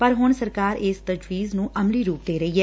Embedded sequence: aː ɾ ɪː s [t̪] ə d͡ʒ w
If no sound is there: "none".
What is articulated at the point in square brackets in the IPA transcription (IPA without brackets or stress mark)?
t̪